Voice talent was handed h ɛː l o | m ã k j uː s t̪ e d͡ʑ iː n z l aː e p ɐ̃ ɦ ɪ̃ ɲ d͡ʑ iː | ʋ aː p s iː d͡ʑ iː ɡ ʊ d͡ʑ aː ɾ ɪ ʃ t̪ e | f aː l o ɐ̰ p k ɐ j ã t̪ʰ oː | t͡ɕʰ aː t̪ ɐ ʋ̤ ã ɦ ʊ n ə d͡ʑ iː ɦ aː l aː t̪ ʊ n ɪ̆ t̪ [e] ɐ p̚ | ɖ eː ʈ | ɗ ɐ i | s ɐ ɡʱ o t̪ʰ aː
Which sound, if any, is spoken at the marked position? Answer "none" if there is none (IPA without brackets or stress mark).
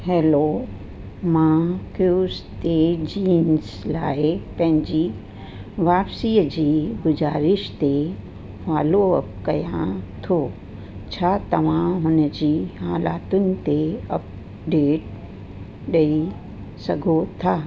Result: e